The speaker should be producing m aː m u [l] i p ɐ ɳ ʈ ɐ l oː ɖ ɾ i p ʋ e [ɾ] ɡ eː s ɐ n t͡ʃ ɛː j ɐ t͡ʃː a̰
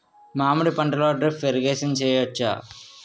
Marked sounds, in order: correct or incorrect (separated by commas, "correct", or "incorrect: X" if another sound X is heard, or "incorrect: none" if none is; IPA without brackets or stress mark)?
incorrect: ɽ, correct